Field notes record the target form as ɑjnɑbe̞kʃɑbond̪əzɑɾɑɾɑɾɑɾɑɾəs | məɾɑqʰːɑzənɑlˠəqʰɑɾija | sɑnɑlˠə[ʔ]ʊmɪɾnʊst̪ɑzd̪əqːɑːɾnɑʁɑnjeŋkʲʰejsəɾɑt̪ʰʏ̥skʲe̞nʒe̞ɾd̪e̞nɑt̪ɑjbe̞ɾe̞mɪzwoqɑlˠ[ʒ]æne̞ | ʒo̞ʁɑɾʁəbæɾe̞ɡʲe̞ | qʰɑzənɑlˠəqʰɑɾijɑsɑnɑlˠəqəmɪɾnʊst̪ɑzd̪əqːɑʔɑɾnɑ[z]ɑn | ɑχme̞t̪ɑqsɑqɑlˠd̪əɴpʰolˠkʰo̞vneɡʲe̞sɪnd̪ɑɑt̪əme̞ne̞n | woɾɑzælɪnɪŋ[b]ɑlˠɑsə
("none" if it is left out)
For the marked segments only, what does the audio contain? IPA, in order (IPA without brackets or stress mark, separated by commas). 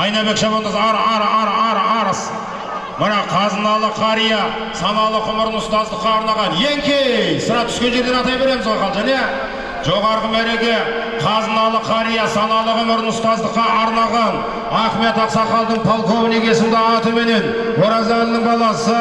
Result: q, ʒ, ʁ, b